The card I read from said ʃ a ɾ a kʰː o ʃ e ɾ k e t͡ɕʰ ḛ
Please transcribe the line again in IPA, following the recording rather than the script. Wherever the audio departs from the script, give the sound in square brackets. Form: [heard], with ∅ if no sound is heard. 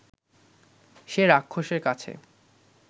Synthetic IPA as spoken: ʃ [e] ɾ a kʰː o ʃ e ɾ k [a] t͡ɕʰ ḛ

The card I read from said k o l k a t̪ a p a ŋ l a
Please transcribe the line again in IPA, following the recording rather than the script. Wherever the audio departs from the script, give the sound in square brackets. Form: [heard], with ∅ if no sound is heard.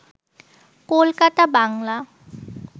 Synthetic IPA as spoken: k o l k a t̪ a [b] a ŋ l a

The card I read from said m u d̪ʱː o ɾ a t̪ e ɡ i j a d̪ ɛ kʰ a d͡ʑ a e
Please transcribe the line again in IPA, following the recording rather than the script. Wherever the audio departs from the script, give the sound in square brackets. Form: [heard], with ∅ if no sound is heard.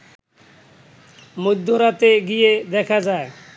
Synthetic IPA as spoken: m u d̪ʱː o ɾ a t̪ e ɡ i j [e] d̪ ɛ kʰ a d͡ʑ a e

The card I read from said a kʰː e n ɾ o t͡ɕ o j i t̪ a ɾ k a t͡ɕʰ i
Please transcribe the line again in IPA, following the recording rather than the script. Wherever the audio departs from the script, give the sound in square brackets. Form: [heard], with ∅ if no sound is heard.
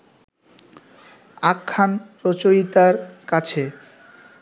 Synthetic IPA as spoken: a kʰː [a] n ɾ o t͡ɕ o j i t̪ a ɾ k a t͡ɕʰ [e]

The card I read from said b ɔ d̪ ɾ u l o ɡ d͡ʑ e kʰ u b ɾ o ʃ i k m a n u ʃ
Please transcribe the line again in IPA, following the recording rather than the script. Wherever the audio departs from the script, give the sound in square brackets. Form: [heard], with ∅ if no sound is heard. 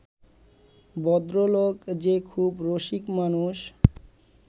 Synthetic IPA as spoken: b ɔ d̪ ɾ [o] l o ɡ d͡ʑ e kʰ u b ɾ o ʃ i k m a n u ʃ

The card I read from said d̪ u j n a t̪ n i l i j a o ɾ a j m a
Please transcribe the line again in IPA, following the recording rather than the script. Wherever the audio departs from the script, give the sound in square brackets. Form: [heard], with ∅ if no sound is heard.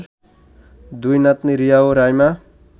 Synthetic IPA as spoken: d̪ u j n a t̪ n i [ɾ] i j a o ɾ a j m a

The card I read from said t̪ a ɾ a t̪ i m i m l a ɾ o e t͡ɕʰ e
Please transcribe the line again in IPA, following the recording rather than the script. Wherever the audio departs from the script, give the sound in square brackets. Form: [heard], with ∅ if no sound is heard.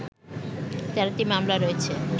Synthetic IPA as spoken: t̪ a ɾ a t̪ i m [a] m l a ɾ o e t͡ɕʰ e

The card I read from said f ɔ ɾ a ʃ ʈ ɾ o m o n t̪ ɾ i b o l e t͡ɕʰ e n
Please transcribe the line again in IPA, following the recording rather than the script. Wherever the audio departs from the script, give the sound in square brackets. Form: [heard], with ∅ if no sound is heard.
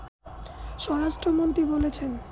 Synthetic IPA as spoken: [ʃ] ɔ ɾ a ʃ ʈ ɾ o m o n t̪ ɾ i b o l e t͡ɕʰ e n

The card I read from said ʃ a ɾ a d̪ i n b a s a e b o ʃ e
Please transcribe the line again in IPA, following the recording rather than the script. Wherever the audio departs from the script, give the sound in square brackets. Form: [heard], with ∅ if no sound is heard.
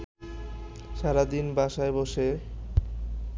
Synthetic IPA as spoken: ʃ a ɾ a d̪ i n b a [ʃ] a e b o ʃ e

